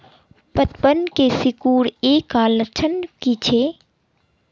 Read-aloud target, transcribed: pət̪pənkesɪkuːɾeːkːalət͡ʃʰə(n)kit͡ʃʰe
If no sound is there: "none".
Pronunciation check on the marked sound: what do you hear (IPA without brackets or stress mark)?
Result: n